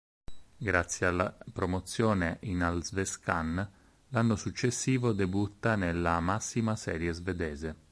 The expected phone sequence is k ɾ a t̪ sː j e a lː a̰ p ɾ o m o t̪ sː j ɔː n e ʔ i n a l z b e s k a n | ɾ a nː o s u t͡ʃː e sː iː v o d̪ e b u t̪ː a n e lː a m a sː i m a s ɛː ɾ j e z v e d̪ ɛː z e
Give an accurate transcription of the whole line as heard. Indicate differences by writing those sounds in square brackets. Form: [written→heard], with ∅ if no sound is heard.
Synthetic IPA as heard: [k→ɡ] ɾ a t̪ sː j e a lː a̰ p ɾ o m o t̪ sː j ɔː n e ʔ i n a l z [b→v] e s k a n | [ɾ→l] a nː o s u t͡ʃː e sː iː v o d̪ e b u t̪ː a n e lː a m a sː i m a s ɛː ɾ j e z v e d̪ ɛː z e